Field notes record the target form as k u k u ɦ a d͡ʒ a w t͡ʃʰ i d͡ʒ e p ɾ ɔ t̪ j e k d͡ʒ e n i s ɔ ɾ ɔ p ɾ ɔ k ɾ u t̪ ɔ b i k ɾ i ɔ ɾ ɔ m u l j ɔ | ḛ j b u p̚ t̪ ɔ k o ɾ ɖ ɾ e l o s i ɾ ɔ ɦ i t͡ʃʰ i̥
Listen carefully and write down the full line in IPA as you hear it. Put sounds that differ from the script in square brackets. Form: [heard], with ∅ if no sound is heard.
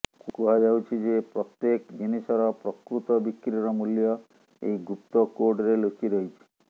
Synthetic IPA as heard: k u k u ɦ a d͡ʒ a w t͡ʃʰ i d͡ʒ e p ɾ ɔ t̪ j e k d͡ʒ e n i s ɔ ɾ ɔ p ɾ ɔ k ɾ u t̪ ɔ b i k ɾ i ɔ ɾ ɔ m u l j ɔ | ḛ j [ɡ] u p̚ t̪ ɔ k o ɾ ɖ ɾ e l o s i ɾ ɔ ɦ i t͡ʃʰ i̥

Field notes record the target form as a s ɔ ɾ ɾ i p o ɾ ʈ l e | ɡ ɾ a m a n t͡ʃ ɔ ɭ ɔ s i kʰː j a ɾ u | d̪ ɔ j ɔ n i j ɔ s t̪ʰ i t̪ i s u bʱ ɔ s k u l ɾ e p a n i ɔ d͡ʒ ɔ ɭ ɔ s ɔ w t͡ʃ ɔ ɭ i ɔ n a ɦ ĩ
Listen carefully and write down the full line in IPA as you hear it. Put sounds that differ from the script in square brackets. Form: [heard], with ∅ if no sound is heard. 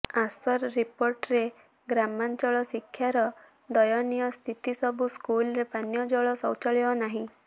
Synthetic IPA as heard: a s ɔ ɾ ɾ i p o ɾ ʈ [ɾ] e | ɡ ɾ a m a n t͡ʃ ɔ ɭ ɔ s i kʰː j a ɾ [ɔ] | d̪ ɔ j ɔ n i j ɔ s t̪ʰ i t̪ i s [ɔ] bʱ [u] s k u l ɾ e p a n [j] ɔ d͡ʒ ɔ ɭ ɔ s ɔ w t͡ʃ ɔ ɭ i ɔ n a ɦ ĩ

